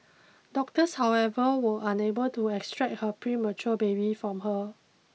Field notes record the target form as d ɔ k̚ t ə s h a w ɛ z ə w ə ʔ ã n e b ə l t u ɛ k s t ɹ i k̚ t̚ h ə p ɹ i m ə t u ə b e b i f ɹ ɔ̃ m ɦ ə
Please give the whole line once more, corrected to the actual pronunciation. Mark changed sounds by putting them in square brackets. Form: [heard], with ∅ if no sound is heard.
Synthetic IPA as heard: d ɔ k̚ t ə s h a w ɛ [v] ə w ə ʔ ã n e b ə l t u ɛ k s t ɹ [ɛ] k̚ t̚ h ə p ɹ i m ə [t͡ʃ] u ə b e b i f ɹ ɔ̃ m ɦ ə